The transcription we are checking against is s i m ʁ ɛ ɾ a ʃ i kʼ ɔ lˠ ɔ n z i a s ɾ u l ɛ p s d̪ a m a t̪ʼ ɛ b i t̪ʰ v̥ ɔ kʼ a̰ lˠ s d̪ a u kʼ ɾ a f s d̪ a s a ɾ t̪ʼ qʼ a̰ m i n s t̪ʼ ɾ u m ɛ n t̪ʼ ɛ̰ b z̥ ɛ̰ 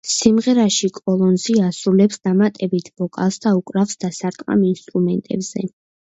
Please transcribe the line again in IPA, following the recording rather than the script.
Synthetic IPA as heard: s i m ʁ ɛ ɾ a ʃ i kʼ ɔ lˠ ɔ n z i a s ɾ u l ɛ p s d̪ a m a t̪ʼ ɛ b i t̪ʰ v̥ ɔ kʼ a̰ lˠ s d̪ a u kʼ ɾ a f s d̪ a s a ɾ t̪ʼ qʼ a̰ m i n s t̪ʼ ɾ u m ɛ n t̪ʼ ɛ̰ b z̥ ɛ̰